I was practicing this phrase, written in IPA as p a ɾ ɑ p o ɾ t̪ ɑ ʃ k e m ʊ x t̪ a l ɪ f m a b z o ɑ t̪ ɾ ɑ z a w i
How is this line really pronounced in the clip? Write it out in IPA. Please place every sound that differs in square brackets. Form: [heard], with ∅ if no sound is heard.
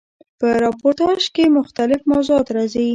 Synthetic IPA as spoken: p [ə] ɾ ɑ p o ɾ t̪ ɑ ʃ k e m ʊ x t̪ a l ɪ f m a [w] z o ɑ t̪ ɾ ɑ z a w i